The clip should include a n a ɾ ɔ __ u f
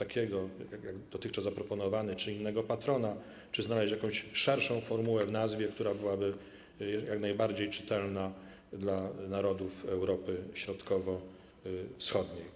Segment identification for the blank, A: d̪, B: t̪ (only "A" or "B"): A